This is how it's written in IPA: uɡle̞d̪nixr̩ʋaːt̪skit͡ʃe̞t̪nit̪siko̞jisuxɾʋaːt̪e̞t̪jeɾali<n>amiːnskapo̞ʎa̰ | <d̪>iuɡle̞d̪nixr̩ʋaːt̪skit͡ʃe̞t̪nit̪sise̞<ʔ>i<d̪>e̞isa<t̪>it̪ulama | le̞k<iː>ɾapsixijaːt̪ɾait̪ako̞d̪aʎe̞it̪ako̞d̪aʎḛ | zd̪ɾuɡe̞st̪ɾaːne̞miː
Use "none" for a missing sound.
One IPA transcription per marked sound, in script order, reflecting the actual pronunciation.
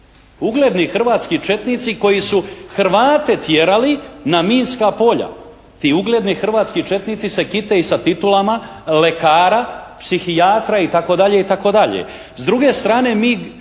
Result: n, t̪, k, t̪, t̪, aː

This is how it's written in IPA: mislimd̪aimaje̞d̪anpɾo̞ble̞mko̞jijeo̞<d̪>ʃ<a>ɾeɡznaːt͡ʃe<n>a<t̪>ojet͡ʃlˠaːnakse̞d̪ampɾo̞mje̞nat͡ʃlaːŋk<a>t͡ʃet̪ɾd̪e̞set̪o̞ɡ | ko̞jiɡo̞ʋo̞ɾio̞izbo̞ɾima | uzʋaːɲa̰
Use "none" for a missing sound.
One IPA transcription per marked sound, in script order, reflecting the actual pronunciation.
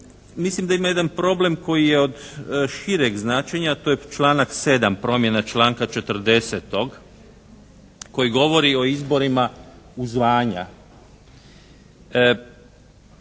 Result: d̪, i, ɲ, t̪, a

